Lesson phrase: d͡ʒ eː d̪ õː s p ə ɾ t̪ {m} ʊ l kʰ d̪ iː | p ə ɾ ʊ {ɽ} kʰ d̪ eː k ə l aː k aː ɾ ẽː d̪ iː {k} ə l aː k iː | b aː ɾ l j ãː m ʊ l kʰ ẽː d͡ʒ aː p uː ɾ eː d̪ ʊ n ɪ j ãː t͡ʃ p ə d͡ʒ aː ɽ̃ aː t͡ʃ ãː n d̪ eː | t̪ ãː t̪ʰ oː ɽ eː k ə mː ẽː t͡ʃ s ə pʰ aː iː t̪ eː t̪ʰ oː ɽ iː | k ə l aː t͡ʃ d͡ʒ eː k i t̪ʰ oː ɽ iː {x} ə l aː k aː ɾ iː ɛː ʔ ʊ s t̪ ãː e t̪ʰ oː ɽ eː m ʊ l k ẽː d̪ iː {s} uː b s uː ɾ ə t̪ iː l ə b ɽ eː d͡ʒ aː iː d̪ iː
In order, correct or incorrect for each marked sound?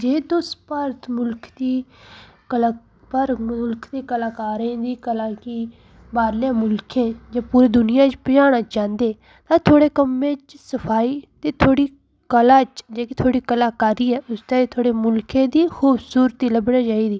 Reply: correct, incorrect: l, correct, incorrect: k, incorrect: x

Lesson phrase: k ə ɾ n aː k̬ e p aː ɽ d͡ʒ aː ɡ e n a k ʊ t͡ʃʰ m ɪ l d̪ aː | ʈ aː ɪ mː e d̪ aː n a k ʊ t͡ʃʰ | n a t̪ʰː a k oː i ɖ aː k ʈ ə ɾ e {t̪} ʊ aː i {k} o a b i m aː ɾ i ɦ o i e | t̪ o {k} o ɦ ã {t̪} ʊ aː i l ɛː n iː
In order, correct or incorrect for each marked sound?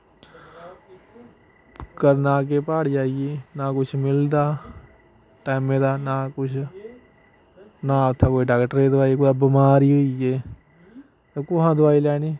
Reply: incorrect: d̪, correct, correct, incorrect: d̪

